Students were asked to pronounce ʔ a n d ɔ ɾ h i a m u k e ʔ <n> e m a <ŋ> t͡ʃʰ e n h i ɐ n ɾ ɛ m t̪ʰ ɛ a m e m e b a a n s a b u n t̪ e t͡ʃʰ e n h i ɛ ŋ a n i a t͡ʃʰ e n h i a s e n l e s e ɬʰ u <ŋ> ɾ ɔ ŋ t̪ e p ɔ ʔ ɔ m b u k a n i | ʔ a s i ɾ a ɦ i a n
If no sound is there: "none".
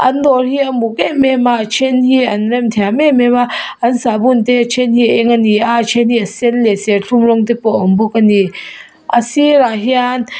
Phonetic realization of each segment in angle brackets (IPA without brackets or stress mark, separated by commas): m, none, m